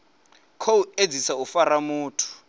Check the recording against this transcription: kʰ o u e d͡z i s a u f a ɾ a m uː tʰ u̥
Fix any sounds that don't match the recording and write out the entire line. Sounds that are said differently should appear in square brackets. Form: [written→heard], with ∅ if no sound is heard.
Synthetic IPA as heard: kʰ o u e d͡z i s a u f a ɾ a m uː tʰ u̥